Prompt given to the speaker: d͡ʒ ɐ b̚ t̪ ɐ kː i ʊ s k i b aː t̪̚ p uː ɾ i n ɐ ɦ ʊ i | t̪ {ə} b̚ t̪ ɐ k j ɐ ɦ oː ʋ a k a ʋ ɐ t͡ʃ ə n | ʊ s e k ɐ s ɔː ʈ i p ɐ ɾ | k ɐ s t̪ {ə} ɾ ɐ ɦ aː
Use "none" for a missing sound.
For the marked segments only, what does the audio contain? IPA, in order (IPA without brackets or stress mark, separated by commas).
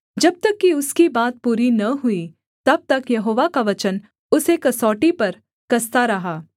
ɐ, a